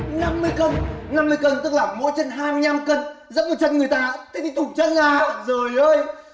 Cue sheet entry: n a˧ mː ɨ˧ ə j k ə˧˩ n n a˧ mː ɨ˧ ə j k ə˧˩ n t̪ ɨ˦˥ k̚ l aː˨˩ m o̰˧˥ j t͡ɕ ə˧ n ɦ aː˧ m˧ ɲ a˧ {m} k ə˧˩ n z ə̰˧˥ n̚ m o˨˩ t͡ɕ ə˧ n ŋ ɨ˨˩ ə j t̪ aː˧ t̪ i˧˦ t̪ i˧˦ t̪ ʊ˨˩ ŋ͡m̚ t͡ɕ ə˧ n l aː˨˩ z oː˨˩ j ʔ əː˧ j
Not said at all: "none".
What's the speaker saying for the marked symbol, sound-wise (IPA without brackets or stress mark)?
m